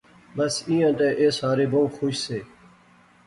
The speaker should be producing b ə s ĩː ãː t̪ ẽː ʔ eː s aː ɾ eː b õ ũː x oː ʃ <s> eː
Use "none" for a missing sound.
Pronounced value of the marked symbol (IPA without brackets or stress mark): s